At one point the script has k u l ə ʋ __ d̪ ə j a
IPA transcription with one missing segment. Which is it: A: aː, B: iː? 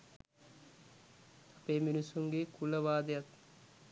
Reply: A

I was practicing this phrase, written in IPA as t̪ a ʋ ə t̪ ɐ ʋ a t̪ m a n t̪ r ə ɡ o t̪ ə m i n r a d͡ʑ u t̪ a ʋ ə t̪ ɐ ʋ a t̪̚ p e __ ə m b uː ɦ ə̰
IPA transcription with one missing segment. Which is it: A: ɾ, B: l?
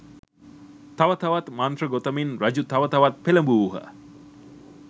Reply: B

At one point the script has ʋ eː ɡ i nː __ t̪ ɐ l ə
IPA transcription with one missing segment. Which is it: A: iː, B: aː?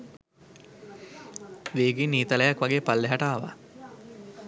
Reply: A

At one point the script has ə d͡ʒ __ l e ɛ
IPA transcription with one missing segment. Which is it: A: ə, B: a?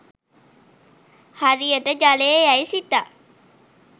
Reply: B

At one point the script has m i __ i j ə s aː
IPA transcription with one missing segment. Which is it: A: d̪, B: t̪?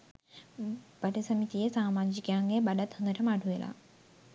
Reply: B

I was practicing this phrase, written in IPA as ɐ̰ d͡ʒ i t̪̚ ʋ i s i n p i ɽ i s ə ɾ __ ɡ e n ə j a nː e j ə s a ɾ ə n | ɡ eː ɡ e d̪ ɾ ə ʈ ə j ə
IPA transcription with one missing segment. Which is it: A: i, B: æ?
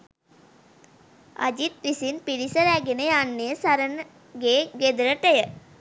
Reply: B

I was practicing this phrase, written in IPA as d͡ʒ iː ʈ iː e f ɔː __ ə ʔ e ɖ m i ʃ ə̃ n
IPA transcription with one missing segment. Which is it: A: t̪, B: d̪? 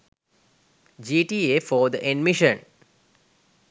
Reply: B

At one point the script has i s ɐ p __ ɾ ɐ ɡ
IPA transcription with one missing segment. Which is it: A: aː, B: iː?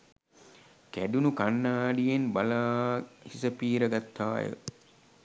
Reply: B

